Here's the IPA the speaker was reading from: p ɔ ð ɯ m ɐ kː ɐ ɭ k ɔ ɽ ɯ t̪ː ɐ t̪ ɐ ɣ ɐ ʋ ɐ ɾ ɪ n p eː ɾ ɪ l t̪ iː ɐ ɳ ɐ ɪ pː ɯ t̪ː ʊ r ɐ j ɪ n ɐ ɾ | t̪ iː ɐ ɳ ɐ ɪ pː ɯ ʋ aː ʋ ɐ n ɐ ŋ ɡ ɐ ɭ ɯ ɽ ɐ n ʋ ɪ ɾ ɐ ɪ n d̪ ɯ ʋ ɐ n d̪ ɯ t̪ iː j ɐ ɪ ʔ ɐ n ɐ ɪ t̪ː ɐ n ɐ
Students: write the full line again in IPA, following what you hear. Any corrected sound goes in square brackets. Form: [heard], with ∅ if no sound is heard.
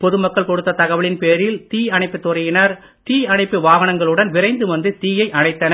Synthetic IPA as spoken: p ɔ ð ɯ m ɐ kː ɐ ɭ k ɔ ɽ ɯ t̪ː ɐ t̪ ɐ ɣ ɐ ʋ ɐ [ɭ] ɪ n p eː ɾ ɪ l t̪ iː ɐ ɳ ɐ ɪ pː ɯ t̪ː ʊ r ɐ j ɪ n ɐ ɾ | t̪ iː ɐ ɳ ɐ ɪ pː ɯ ʋ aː ʋ ɐ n ɐ ŋ ɡ ɐ ɭ ɯ ɽ ɐ n ʋ ɪ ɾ ɐ ɪ n d̪ ɯ ʋ ɐ n d̪ ɯ t̪ iː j ɐ ɪ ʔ ɐ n ɐ ɪ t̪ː ɐ n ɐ

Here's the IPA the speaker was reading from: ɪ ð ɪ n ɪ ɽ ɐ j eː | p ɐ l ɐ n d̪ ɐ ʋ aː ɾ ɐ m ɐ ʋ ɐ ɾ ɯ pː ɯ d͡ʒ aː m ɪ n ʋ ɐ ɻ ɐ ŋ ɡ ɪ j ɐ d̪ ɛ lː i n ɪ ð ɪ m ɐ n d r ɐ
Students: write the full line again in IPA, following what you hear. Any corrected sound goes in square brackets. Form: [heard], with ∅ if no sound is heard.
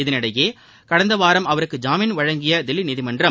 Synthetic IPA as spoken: ɪ ð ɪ n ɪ ɽ ɐ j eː | [k] ɐ [ɽ] ɐ n d̪ ɐ ʋ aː ɾ ɐ m ɐ ʋ ɐ ɾ ɯ [kː] ɯ d͡ʒ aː m ɪ n ʋ ɐ ɻ ɐ ŋ ɡ ɪ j ɐ d̪ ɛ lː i n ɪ ð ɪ m ɐ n d r ɐ

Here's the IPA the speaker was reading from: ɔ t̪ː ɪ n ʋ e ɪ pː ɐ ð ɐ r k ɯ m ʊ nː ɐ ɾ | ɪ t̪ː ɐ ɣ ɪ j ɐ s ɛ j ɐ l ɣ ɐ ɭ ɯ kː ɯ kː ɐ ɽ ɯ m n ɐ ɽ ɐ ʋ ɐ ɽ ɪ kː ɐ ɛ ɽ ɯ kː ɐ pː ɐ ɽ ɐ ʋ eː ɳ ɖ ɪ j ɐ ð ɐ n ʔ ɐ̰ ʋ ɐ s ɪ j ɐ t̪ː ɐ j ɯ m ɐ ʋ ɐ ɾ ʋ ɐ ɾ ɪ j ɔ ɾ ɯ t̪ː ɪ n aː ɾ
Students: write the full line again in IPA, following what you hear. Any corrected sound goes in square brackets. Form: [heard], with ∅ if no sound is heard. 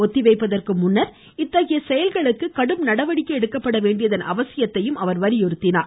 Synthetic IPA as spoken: ɔ t̪ː ɪ [∅] ʋ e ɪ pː ɐ ð ɐ r k ɯ m ʊ nː ɐ ɾ | ɪ t̪ː ɐ ɣ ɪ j ɐ s ɛ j ɐ l ɣ ɐ ɭ ɯ kː ɯ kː ɐ ɽ ɯ m n ɐ ɽ ɐ ʋ ɐ ɽ ɪ kː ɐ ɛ ɽ ɯ kː ɐ pː ɐ ɽ ɐ ʋ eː ɳ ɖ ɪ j ɐ ð ɐ n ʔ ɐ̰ ʋ ɐ s ɪ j ɐ t̪ː ɐ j ɯ m ɐ ʋ ɐ ɾ ʋ ɐ ɾ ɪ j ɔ ɾ ɯ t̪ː ɪ n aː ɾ

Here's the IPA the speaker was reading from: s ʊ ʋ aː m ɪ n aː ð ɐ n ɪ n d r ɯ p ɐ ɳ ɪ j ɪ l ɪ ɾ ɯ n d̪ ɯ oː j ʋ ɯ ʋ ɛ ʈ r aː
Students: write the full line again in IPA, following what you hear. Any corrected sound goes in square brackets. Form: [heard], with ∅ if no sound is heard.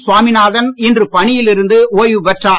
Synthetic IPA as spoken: s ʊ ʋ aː m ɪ n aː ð ɐ n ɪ n d r ɯ p ɐ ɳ ɪ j ɪ l ɪ ɾ ɯ n d̪ ɯ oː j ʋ ɯ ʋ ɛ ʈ r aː

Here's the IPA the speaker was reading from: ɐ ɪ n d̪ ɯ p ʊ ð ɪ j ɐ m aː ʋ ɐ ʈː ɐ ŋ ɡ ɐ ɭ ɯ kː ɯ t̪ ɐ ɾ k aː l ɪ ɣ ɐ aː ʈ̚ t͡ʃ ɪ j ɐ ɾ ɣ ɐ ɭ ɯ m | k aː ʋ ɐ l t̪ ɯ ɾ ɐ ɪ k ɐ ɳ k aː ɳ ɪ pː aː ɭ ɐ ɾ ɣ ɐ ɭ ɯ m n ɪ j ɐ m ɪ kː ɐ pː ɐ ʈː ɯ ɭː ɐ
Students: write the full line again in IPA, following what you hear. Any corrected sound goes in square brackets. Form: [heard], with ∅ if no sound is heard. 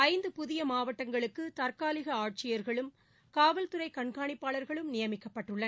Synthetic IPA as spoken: ɐ ɪ n d̪ ɯ p ʊ ð ɪ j ɐ m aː ʋ ɐ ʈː ɐ ŋ ɡ ɐ ɭ ɯ kː ɯ t̪ ɐ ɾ k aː l ɪ ɣ ɐ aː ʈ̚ t͡ʃ ɪ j ɐ ɾ ɣ ɐ ɭ ɯ m | k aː ʋ ɐ l t̪ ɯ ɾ ɐ ɪ k ɐ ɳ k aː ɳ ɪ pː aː ɭ ɐ ɾ ɣ ɐ ɭ ɯ m n ɪ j ɐ m ɪ kː ɐ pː ɐ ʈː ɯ ɭː ɐ

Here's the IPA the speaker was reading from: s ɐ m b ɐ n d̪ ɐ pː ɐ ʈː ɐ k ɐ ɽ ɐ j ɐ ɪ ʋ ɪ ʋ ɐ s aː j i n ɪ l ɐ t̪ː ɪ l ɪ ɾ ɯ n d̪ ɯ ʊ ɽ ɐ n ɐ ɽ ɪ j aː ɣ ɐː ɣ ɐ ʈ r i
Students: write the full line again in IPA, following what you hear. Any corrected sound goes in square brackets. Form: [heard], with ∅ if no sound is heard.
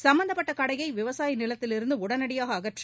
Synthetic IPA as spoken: s ɐ m b ɐ n d̪ ɐ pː ɐ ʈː ɐ k ɐ ɽ ɐ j ɐ ɪ ʋ ɪ ʋ ɐ s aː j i n ɪ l ɐ t̪ː ɪ l ɪ ɾ ɯ n d̪ ɯ ʊ ɽ ɐ n ɐ ɽ ɪ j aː ɣ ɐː ɣ ɐ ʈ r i

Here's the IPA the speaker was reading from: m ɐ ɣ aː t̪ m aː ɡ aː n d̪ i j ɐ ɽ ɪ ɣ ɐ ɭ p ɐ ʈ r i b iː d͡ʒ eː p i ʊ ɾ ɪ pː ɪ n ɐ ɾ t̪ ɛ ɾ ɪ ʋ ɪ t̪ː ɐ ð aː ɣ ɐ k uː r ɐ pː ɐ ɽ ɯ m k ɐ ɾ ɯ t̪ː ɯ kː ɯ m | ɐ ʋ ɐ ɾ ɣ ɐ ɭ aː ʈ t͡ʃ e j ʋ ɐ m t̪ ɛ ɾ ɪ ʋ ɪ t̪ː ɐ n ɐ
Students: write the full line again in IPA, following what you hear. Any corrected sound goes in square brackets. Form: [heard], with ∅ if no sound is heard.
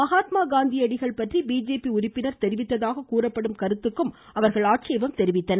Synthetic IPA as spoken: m ɐ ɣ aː t̪ m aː ɡ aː n d̪ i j ɐ ɽ ɪ ɣ ɐ ɭ p ɐ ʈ r i b iː d͡ʒ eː p i ʊ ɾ ɪ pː ɪ n ɐ ɾ t̪ ɛ ɾ ɪ ʋ ɪ t̪ː ɐ ð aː ɣ ɐ k uː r ɐ pː ɐ ɽ ɯ m k ɐ ɾ ɯ t̪ː ɯ kː ɯ m | ɐ ʋ ɐ ɾ ɣ ɐ ɭ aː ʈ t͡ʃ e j ʋ ɐ m t̪ ɛ ɾ ɪ ʋ ɪ t̪ː ɐ n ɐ

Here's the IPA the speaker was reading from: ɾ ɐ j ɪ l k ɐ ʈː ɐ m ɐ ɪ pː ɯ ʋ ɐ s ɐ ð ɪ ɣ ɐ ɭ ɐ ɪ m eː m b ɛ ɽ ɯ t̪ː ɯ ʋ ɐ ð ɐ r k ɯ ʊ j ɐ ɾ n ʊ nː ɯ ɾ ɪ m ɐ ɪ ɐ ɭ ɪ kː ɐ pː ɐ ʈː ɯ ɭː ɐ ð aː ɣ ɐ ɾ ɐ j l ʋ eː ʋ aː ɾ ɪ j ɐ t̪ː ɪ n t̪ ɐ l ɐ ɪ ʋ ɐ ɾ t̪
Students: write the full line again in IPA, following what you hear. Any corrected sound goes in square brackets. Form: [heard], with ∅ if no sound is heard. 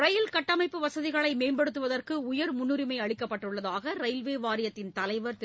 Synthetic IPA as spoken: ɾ ɐ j ɪ l k ɐ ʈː ɐ m ɐ ɪ pː ɯ ʋ ɐ s ɐ ð ɪ ɣ ɐ ɭ ɐ ɪ m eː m b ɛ ɽ ɯ t̪ː ɯ ʋ ɐ ð ɐ r k ɯ ʊ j ɐ ɾ [m] ʊ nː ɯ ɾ ɪ m ɐ ɪ ɐ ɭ ɪ kː ɐ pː ɐ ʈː ɯ ɭː ɐ ð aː ɣ ɐ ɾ ɐ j l ʋ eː ʋ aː ɾ ɪ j ɐ t̪ː ɪ n t̪ ɐ l ɐ ɪ ʋ ɐ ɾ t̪

